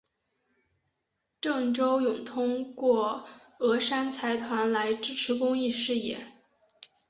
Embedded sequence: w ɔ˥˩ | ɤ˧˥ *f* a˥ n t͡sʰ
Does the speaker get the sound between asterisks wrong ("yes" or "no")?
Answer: yes